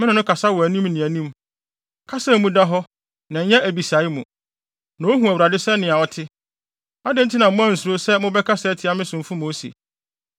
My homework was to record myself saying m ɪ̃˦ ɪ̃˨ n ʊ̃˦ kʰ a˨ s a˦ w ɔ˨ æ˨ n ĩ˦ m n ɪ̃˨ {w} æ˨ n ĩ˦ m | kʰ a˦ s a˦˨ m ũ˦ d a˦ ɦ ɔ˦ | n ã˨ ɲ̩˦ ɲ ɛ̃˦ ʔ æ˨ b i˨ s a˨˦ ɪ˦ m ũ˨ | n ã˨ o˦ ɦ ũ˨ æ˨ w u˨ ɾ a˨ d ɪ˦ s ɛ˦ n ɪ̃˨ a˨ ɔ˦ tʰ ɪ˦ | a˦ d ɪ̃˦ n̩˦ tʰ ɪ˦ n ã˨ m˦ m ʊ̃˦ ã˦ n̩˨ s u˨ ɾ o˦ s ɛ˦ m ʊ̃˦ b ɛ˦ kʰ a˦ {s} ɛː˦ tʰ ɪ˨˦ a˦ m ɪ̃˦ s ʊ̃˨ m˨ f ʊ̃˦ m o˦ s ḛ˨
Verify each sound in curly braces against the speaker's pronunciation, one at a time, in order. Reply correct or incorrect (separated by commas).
incorrect, correct